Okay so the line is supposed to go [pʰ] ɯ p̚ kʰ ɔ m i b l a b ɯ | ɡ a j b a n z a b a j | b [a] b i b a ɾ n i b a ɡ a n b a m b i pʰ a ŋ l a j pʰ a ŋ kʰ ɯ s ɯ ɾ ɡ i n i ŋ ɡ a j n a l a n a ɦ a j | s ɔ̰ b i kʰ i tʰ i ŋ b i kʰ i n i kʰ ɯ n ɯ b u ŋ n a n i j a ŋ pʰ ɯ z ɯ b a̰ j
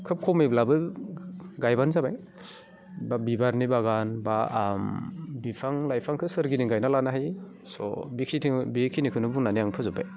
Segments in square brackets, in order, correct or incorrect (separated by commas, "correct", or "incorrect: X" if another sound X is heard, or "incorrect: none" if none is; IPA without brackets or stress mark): incorrect: kʰ, correct